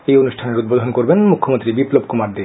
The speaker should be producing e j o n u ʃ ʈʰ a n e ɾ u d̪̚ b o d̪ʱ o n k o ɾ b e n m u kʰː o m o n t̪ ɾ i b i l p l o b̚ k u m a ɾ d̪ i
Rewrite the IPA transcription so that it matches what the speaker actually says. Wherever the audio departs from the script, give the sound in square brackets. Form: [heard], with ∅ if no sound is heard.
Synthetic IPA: e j o n u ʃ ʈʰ a n e ɾ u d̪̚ b o d̪ʱ o n k o ɾ b e n m u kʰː o m o n t̪ ɾ i b i [∅] p l o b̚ k u m a ɾ d̪ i